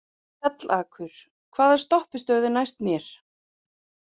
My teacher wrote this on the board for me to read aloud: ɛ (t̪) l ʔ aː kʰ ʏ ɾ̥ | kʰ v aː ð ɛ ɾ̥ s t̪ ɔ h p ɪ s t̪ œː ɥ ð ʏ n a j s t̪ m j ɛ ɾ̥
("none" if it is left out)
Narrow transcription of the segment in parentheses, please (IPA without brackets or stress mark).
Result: t̪